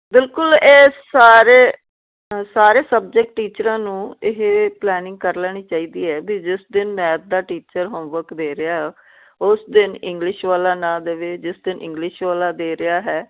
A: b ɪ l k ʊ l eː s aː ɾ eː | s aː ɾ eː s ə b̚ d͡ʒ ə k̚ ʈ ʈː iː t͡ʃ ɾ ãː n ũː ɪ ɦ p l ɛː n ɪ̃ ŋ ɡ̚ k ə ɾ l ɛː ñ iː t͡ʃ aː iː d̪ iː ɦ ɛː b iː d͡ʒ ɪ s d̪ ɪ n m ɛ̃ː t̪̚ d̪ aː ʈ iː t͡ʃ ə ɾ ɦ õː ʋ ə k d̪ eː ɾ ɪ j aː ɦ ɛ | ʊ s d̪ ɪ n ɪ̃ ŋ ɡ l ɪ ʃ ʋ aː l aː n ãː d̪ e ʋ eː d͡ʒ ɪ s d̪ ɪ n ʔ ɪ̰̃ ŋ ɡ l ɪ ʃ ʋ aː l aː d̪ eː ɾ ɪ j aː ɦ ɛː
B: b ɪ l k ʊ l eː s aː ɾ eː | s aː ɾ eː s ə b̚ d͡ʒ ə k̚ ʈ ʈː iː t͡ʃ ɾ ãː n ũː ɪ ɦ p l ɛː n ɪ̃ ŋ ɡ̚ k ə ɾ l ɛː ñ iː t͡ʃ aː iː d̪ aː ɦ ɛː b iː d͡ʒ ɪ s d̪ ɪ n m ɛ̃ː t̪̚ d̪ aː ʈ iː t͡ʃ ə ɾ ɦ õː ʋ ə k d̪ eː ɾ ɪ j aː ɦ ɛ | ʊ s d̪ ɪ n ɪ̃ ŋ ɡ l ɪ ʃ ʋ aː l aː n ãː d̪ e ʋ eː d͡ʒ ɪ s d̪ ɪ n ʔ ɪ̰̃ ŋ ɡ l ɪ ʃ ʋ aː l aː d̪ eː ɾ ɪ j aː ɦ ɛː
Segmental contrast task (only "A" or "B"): A